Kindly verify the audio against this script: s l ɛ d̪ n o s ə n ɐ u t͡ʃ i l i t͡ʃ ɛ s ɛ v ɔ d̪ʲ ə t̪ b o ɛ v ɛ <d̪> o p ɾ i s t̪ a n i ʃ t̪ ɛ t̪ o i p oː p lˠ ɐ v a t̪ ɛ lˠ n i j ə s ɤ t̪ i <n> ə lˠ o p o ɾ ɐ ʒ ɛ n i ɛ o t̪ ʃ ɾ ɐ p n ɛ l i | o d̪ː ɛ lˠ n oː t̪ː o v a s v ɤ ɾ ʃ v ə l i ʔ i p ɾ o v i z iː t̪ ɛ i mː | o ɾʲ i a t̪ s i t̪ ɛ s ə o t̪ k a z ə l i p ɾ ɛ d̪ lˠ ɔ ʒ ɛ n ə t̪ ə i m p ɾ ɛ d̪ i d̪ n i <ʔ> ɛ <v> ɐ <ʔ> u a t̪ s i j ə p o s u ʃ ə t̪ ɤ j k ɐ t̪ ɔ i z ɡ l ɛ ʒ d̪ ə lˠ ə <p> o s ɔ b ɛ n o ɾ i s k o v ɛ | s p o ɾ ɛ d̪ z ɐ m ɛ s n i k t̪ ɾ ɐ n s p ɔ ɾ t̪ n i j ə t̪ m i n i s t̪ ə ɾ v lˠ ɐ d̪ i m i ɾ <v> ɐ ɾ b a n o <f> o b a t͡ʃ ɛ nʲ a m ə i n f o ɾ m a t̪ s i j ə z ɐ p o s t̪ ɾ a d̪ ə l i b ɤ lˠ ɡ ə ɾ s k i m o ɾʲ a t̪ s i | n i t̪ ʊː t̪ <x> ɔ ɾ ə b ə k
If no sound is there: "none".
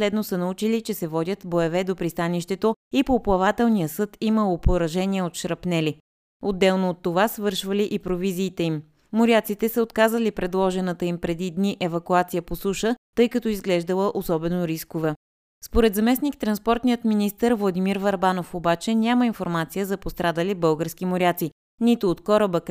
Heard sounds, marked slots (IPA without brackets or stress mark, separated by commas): d̪, m, ʔ, v, k, ʔ, v, f, k